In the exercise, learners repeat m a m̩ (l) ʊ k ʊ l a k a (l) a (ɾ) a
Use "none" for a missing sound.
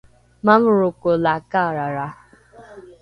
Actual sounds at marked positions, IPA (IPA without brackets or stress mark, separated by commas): ɾ, ɾ, ɾ